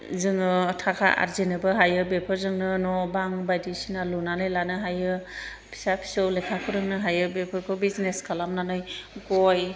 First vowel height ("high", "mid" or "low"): high